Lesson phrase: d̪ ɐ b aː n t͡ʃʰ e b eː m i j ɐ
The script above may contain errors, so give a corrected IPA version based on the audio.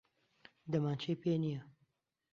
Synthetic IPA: d̪ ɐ m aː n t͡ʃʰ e p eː n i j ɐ